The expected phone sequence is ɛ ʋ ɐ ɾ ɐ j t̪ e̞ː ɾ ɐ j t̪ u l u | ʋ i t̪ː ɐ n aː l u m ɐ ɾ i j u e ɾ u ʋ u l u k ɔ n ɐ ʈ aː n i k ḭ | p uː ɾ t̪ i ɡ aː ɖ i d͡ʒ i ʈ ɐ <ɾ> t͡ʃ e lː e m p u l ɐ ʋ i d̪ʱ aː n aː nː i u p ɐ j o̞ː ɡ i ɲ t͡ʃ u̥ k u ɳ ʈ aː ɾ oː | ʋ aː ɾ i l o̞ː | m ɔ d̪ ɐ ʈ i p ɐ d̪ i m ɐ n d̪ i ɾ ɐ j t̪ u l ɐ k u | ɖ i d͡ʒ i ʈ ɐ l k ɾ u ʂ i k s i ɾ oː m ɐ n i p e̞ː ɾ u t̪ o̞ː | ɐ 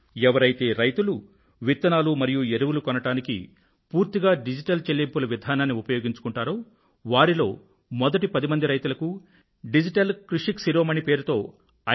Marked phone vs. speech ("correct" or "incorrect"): incorrect